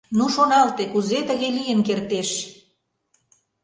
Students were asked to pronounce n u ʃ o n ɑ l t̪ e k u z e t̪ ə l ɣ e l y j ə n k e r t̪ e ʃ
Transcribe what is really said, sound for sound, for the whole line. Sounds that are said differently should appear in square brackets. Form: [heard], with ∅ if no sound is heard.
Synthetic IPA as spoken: n u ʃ o n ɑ l t̪ e k u z e t̪ ə [∅] ɣ e l [i] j ə n k e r t̪ e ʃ